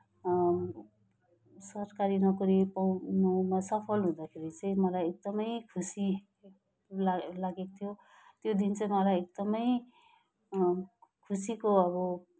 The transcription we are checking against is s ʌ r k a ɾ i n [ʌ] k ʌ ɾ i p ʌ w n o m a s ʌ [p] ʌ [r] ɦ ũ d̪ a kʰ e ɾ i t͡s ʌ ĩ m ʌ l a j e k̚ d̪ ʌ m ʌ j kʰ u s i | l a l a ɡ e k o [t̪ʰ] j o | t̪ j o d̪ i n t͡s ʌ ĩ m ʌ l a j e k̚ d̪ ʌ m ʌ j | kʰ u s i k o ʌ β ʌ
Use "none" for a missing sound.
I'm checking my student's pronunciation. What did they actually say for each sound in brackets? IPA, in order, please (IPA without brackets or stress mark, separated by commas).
ʌ, pʰ, l, t̪ʰ